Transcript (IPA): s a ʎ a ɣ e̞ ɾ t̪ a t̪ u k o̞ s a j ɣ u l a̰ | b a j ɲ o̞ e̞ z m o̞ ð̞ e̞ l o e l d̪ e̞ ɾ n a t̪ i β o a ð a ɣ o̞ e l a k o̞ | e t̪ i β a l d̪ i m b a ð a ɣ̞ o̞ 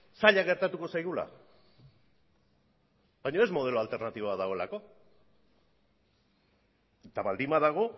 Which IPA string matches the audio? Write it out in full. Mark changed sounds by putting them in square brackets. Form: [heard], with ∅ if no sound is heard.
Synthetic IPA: s a ʎ a ɣ e̞ ɾ t̪ a t̪ u k o̞ s a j ɣ u l a̰ | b a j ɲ o̞ e̞ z m o̞ ð̞ e̞ l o [a] l [t̪] e̞ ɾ n a t̪ i β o a ð a ɣ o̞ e l a k o̞ | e t̪ [a] β a l d̪ i m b a ð a ɣ̞ o̞